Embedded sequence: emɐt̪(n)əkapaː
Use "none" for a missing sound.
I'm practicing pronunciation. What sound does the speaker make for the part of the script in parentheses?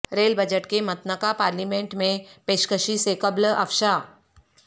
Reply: n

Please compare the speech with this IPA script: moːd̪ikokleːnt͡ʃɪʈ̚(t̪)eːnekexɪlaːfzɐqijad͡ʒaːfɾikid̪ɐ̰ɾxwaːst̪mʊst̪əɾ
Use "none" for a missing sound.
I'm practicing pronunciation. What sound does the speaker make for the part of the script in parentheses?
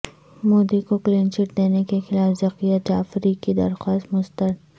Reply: d̪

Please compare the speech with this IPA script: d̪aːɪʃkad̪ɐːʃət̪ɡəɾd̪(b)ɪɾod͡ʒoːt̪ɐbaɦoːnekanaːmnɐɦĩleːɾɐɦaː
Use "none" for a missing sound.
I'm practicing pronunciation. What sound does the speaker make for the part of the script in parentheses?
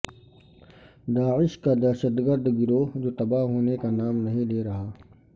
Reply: ɡ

